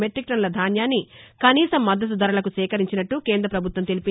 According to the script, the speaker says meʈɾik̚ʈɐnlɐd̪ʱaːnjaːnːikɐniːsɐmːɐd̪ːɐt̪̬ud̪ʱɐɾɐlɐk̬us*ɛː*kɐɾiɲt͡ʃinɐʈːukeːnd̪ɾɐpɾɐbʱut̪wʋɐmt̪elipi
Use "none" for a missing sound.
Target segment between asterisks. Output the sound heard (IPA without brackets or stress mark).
ɛː